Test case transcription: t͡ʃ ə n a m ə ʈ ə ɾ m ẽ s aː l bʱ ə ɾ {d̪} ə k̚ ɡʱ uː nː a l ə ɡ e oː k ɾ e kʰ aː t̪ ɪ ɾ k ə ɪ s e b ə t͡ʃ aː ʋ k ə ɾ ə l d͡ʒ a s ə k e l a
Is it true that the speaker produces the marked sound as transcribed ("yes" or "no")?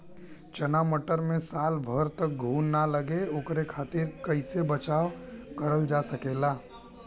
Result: no